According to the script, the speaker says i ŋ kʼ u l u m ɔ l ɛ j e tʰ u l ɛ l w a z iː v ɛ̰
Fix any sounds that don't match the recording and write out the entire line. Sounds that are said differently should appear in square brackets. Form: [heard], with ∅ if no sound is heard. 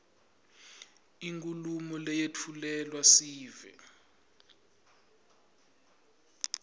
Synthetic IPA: i ŋ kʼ u l u m ɔ l ɛ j e tʰ u l ɛ l w a [s] iː v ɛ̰

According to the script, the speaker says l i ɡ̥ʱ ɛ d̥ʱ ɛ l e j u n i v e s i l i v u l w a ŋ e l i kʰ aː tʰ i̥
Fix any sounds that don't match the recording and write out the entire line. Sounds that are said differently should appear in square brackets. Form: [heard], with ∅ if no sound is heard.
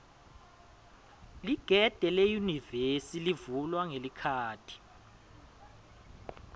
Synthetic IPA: l i ɡ̥ʱ ɛ d̥ʱ ɛ l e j u n i v e s i l i v u l w a ŋ e l i kʰ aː tʰ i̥

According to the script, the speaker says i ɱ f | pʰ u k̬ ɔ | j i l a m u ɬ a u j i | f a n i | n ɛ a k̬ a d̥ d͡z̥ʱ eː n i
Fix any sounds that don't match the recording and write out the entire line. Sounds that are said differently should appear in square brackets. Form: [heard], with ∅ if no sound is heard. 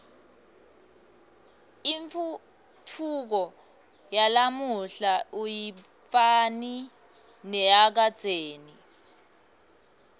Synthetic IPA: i ɱ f | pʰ u k̬ ɔ | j [a] l a m u ɬ a u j i | f a n i | n ɛ a k̬ a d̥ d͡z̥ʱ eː n i

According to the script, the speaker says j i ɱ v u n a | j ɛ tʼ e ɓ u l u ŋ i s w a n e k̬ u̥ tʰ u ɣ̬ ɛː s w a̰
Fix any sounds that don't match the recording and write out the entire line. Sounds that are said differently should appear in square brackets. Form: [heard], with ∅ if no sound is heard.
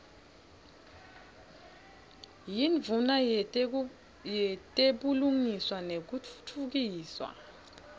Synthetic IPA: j i ɱ v u n a | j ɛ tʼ e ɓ u l u ŋ i s w a n e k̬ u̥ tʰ u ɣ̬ [iː] s w a̰

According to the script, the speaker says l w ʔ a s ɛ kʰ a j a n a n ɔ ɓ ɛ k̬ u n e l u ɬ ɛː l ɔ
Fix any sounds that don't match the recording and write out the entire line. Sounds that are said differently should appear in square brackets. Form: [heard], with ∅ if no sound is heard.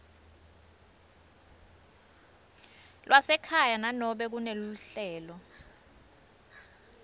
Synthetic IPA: l w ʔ a s ɛ kʰ a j a n a n ɔ ɓ ɛ k̬ u n e l u ɬ ɛː l ɔ

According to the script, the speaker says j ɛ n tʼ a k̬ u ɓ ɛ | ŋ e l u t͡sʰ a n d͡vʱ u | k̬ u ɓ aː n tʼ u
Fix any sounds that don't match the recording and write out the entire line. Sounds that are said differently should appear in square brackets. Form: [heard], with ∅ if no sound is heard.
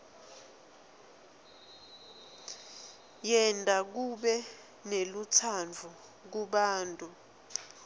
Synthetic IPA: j ɛ n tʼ a k̬ u ɓ ɛ | [n] e l u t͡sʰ a n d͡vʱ u | k̬ u ɓ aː n tʼ u

